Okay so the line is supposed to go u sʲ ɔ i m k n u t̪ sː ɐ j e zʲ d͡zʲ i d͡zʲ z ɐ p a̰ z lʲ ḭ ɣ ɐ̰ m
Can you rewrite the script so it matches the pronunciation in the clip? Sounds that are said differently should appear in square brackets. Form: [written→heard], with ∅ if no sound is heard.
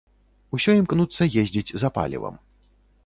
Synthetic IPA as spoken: u sʲ ɔ i m k n u t̪ sː ɐ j e zʲ d͡zʲ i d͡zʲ z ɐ p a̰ [z→∅] lʲ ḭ [ɣ→v] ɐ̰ m